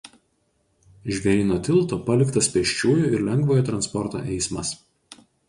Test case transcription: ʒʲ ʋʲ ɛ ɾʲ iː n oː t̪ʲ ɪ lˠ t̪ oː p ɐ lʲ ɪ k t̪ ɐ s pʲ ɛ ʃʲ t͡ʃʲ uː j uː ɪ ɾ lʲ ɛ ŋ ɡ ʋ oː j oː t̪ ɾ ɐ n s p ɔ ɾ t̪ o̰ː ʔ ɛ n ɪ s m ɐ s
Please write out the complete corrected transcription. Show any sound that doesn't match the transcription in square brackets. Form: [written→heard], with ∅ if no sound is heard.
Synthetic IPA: ʒʲ ʋʲ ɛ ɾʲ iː n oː t̪ʲ ɪ lˠ t̪ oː p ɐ lʲ ɪ k t̪ ɐ s pʲ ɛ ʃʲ t͡ʃʲ uː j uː ɪ ɾ lʲ ɛ ŋ ɡ ʋ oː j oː t̪ ɾ ɐ n s p ɔ ɾ t̪ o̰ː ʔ ɛ [n→∅] ɪ s m ɐ s